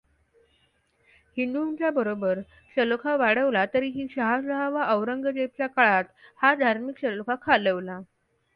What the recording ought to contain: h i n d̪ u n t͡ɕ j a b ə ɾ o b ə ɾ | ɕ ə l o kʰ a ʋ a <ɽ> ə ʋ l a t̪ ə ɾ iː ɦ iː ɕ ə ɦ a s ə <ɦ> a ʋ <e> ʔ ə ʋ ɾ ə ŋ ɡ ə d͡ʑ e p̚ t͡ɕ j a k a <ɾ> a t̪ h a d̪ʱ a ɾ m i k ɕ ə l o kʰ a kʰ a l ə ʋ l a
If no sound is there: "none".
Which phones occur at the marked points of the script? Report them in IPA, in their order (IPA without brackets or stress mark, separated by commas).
ɽ, ɦ, a, ɭ